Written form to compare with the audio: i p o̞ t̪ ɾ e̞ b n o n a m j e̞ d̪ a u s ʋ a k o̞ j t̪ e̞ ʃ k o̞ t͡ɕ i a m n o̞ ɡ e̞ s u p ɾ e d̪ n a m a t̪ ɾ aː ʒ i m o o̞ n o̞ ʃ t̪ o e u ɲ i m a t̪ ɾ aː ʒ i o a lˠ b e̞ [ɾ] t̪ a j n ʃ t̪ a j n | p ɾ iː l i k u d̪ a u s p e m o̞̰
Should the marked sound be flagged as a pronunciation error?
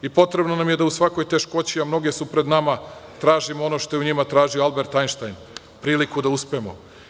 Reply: no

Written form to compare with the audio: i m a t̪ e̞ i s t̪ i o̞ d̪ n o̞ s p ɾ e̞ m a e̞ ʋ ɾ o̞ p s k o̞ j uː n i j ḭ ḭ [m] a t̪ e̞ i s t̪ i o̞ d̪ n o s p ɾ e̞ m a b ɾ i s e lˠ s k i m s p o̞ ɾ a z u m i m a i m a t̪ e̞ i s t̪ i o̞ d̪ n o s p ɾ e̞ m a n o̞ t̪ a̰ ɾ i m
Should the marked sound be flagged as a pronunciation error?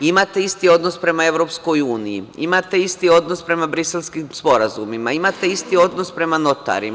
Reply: no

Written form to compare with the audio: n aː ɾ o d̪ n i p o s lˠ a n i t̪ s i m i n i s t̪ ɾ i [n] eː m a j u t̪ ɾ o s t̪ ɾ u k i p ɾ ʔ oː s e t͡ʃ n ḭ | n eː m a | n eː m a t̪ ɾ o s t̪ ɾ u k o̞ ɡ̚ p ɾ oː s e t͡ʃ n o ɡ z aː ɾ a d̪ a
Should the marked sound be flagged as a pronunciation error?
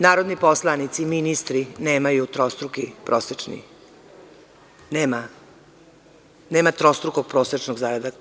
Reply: no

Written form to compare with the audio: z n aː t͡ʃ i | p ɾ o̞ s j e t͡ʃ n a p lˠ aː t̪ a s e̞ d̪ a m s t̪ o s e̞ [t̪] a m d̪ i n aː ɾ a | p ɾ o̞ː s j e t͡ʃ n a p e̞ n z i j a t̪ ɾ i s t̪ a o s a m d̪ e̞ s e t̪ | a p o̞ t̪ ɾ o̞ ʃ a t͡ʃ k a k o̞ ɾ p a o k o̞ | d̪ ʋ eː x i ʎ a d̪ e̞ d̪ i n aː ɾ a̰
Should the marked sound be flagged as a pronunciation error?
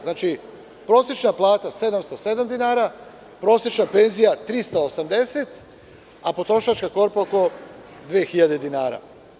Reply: yes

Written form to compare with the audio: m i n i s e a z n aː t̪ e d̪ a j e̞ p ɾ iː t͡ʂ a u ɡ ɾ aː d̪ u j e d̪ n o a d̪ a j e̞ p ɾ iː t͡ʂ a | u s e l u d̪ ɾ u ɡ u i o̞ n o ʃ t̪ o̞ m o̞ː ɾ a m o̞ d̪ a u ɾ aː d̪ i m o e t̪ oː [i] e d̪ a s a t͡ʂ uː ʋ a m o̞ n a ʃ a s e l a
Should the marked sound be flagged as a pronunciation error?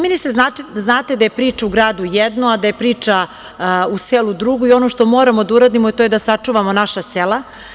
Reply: yes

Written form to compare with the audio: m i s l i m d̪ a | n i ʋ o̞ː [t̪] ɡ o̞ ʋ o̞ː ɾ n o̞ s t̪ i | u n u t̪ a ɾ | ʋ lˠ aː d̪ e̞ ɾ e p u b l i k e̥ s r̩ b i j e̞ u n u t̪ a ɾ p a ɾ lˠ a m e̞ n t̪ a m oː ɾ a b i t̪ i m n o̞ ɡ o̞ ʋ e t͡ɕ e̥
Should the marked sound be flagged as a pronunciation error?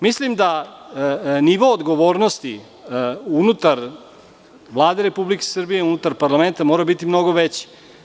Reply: yes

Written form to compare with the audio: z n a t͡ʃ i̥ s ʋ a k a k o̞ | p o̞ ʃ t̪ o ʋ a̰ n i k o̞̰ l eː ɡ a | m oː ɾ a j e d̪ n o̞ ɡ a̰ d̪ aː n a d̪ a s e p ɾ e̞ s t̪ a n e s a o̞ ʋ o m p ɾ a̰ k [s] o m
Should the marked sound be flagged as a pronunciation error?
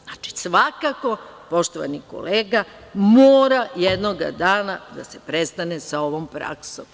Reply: no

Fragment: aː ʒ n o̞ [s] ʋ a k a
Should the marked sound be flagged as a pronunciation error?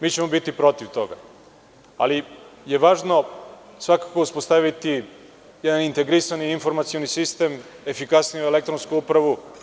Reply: no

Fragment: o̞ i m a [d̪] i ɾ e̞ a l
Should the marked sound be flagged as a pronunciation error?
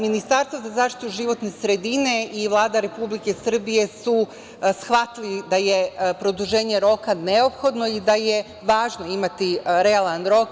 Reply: yes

